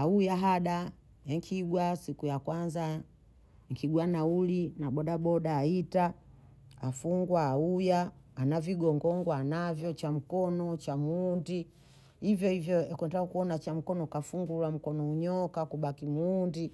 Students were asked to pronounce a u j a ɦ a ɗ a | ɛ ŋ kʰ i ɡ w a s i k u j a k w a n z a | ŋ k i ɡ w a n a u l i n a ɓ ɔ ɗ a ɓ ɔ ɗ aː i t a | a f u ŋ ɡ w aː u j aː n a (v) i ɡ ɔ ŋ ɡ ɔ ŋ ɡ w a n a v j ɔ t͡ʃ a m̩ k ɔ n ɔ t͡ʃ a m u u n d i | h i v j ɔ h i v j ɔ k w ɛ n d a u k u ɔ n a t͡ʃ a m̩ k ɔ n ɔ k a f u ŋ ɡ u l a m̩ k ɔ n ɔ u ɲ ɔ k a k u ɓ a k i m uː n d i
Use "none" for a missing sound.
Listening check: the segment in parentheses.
v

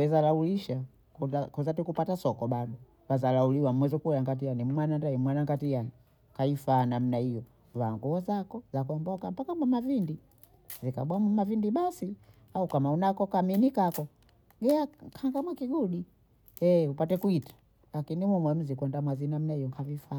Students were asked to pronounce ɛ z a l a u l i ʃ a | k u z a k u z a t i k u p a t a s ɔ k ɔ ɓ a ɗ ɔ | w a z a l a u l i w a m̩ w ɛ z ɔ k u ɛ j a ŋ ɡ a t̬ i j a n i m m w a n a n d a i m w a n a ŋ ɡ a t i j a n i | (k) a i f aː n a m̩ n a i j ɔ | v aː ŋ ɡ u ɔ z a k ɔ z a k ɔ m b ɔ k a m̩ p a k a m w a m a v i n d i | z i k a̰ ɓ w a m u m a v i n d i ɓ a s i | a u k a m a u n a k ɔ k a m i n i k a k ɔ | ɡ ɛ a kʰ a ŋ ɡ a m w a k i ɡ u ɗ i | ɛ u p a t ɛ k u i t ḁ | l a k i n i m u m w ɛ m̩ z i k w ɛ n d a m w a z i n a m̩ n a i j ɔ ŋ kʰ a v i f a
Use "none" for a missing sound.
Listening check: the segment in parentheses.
k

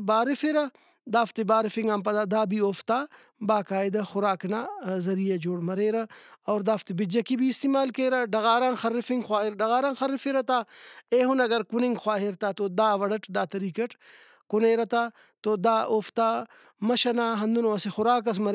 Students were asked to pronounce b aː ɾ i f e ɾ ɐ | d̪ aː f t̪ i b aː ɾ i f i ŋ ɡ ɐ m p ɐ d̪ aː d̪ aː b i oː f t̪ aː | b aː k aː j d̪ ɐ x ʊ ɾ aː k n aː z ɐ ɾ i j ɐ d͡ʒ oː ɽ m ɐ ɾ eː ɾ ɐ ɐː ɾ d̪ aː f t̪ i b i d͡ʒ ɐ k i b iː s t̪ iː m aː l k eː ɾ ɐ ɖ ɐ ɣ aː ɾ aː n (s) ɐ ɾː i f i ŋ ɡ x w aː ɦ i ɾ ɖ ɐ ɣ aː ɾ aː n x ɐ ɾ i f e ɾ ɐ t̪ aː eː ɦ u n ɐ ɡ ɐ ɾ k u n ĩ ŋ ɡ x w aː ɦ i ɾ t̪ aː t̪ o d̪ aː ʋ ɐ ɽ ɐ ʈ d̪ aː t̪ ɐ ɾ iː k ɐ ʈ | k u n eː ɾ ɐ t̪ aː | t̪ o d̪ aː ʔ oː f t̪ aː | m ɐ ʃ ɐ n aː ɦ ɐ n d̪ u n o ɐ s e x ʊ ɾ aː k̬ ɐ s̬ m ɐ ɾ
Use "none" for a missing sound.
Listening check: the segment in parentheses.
x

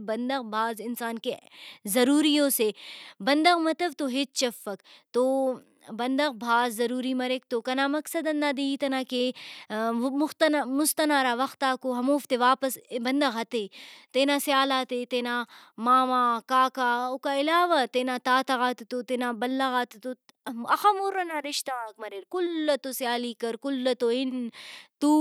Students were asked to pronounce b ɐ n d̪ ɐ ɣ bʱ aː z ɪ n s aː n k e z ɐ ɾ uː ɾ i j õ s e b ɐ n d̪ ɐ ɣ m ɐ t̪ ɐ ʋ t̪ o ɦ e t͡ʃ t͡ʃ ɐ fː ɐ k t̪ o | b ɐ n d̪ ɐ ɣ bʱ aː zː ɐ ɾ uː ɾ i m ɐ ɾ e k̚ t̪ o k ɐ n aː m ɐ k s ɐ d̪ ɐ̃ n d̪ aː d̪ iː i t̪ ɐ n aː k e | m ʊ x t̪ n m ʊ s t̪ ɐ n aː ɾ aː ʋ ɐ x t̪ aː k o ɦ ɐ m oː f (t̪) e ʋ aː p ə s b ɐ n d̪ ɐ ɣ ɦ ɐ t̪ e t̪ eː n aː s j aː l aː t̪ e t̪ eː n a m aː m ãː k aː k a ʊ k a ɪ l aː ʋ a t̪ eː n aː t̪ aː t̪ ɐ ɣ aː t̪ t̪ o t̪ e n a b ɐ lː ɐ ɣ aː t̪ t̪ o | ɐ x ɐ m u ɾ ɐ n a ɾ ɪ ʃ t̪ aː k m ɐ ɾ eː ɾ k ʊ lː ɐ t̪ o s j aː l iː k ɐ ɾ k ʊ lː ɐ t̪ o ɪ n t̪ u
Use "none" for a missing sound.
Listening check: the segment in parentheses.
t̪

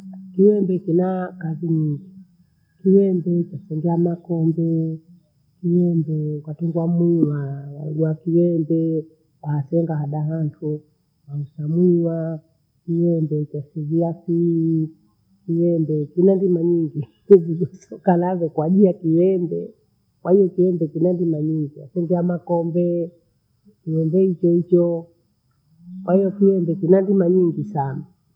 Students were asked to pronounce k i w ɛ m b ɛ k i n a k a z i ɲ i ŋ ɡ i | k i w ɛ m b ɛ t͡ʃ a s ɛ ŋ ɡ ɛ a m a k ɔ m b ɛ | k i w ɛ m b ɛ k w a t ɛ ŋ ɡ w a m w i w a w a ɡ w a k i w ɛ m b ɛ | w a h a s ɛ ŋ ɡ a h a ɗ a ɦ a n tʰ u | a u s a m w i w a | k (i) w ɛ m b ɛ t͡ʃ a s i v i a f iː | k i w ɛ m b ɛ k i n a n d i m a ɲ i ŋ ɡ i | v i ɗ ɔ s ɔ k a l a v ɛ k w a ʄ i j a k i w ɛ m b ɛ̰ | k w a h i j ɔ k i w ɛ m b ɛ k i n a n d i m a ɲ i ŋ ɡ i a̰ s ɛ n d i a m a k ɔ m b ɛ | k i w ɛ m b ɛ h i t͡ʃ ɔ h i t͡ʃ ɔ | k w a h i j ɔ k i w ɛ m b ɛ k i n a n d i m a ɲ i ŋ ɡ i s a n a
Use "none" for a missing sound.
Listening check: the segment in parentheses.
i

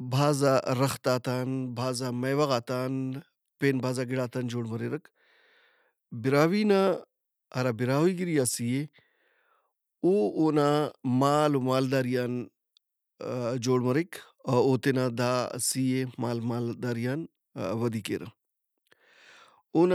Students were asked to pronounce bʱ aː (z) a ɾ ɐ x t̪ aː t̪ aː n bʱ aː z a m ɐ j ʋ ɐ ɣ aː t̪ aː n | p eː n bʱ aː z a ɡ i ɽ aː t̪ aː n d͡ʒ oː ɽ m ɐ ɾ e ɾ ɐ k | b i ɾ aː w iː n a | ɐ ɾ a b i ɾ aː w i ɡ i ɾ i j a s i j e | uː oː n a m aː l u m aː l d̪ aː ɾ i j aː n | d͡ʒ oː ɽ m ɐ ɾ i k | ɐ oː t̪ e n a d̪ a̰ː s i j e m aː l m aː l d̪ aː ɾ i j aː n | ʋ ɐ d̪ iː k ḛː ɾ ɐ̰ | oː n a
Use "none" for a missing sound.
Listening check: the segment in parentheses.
z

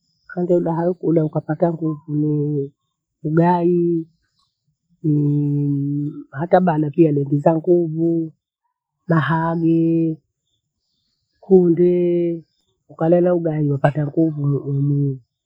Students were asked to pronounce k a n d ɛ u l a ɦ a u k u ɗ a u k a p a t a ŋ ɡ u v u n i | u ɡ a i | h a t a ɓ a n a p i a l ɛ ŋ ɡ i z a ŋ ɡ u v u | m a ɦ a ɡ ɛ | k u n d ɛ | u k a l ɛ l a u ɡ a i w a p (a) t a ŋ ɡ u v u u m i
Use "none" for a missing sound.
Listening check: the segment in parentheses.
a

